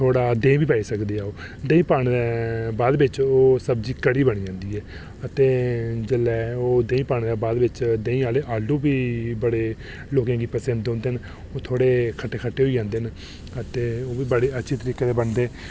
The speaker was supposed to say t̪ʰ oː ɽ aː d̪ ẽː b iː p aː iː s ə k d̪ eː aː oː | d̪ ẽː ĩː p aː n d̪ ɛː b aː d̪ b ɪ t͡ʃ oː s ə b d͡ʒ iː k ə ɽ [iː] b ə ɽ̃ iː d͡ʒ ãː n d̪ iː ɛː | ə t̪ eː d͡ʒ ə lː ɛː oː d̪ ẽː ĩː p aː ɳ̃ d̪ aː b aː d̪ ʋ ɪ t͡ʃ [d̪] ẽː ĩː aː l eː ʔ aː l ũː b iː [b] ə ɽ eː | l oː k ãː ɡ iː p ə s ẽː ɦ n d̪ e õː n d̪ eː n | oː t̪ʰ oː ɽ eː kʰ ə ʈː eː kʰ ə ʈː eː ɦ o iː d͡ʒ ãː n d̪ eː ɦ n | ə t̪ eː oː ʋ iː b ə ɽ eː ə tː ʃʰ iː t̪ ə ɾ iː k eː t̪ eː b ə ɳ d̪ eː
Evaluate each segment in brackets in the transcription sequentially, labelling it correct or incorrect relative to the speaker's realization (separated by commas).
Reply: correct, correct, correct